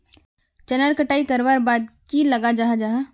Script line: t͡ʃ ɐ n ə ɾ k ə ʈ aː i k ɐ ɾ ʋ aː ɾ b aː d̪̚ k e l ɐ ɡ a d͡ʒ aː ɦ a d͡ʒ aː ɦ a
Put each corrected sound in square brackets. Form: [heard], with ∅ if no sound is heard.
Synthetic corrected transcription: t͡ʃ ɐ n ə ɾ k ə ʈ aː i k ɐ ɾ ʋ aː ɾ b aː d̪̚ k [i] l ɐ ɡ a d͡ʒ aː ɦ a d͡ʒ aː ɦ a